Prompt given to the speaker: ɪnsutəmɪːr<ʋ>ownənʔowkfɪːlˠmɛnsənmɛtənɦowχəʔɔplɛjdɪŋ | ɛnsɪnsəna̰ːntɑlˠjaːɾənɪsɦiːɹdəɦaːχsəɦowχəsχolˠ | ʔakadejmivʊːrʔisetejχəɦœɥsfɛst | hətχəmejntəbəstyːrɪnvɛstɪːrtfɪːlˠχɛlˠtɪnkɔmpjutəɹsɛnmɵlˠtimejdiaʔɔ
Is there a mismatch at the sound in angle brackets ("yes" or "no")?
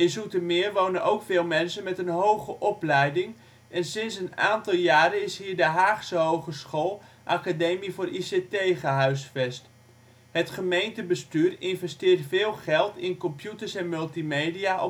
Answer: no